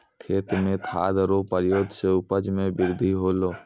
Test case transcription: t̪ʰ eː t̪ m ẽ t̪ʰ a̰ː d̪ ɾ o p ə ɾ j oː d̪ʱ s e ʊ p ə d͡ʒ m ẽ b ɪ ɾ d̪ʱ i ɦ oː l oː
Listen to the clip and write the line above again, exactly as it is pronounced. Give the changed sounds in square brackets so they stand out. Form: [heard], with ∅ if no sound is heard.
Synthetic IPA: t̪ʰ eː t̪ m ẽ t̪ʰ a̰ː d̪ ɾ o p ə ɾ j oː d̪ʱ s e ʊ p ə d͡ʒ m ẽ b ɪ ɾ d̪ʱ i ɦ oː l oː